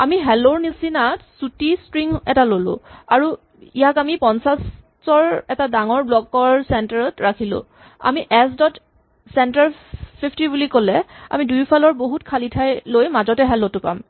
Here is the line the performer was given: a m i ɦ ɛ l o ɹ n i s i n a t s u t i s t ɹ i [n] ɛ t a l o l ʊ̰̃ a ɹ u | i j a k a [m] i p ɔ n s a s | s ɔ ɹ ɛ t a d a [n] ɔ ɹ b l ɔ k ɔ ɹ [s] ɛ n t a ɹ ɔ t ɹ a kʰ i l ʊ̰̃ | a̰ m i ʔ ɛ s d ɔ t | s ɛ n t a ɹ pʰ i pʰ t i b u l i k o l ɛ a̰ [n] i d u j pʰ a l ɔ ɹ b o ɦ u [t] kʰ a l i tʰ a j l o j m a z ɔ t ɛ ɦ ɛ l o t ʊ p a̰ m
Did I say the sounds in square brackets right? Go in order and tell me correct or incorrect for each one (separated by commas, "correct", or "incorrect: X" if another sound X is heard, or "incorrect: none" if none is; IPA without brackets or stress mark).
incorrect: ŋ, correct, incorrect: ŋ, correct, incorrect: m, correct